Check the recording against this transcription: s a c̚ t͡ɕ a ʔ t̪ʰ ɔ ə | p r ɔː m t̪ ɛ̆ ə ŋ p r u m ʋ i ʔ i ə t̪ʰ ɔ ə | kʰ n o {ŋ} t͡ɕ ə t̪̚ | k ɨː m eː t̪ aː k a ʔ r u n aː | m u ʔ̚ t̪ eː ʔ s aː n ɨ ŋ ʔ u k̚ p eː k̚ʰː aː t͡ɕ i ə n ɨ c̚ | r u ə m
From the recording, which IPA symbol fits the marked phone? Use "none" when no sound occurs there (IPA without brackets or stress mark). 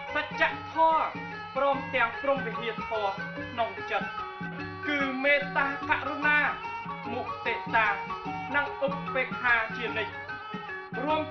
ŋ